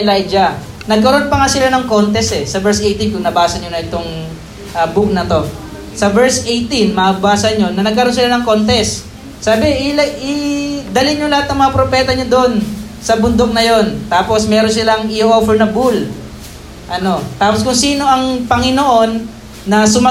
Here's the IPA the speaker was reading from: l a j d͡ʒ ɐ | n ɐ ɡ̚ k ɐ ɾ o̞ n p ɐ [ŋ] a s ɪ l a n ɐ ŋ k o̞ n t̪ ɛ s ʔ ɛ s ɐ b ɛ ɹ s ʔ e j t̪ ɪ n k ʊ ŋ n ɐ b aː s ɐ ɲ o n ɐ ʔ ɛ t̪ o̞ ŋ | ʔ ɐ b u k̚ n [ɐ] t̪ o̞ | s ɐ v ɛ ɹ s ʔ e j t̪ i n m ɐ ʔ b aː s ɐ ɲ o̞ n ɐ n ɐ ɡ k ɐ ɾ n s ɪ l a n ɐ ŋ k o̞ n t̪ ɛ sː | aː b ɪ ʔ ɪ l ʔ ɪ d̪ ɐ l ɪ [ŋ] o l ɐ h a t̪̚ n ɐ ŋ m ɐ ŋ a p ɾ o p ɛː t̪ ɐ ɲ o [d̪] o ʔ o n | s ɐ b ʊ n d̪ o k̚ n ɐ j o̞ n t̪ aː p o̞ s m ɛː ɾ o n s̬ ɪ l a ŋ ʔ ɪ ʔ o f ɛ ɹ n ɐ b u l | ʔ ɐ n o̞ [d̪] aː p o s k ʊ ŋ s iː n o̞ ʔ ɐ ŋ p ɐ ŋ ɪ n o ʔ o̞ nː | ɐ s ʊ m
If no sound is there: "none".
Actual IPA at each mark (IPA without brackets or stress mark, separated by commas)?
ŋ, ɐ, ɲ, d̪, t̪